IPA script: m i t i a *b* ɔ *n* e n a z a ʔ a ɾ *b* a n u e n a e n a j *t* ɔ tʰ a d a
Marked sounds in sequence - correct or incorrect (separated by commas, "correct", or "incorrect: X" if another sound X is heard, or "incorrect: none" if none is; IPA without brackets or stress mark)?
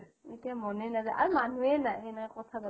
incorrect: m, correct, incorrect: m, incorrect: k